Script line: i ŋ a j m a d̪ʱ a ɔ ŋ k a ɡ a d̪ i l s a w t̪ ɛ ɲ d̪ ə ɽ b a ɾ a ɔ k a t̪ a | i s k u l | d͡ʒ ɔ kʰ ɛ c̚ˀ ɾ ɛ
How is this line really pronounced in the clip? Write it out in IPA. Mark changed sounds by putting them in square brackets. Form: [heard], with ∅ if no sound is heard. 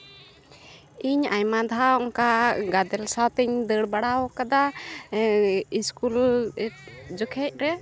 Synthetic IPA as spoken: i [ɲ] a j m a d̪ʱ a ɔ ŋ k a ɡ a d̪ [ɛ] l s a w t̪ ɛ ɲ d̪ ə ɽ b a [ɽ] a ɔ k a [d̪] a | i s k u l | d͡ʒ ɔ kʰ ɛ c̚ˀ ɾ ɛ